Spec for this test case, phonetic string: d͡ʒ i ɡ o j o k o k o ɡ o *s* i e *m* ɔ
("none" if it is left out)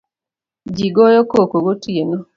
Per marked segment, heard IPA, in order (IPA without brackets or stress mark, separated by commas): t, n